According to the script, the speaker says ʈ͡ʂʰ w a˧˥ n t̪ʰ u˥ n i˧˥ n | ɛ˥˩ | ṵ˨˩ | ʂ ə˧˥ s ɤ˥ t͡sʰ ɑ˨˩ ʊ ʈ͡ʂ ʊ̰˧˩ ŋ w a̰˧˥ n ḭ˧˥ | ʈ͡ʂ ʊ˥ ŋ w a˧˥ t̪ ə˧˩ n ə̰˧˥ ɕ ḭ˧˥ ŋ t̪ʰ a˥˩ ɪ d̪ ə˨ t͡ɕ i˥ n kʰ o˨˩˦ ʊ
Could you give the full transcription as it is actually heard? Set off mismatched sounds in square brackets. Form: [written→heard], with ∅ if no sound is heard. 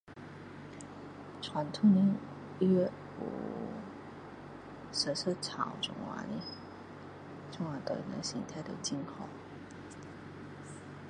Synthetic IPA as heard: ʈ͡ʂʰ w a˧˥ n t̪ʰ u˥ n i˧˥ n | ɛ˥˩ | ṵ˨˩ | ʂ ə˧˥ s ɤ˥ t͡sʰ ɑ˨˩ ʊ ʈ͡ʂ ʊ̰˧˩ ŋ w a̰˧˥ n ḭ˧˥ | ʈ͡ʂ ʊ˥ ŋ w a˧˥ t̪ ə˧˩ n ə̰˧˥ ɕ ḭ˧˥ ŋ t̪ʰ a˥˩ ɪ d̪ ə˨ t͡ɕ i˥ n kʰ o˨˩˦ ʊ